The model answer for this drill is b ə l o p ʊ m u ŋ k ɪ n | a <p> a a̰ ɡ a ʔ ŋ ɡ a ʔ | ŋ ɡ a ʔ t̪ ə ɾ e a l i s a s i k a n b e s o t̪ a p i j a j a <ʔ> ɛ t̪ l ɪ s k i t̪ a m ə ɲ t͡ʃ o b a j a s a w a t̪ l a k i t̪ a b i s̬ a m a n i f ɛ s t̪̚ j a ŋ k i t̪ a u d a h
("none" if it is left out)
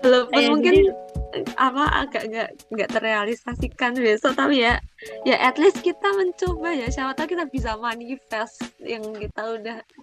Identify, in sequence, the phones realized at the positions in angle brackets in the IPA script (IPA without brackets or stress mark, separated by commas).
p, ʔ